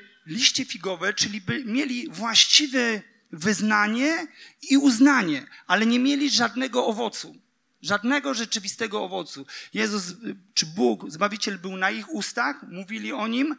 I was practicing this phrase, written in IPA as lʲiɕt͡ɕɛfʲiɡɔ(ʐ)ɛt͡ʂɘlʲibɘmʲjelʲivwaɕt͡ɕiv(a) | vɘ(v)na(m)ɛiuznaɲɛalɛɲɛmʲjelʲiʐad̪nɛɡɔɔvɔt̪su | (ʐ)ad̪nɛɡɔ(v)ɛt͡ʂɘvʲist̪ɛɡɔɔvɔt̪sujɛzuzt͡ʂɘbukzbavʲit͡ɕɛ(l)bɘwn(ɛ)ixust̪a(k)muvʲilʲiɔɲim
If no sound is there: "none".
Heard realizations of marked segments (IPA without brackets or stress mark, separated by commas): v, ɛ, z, ɲ, ʐ, ʐ, l, a, x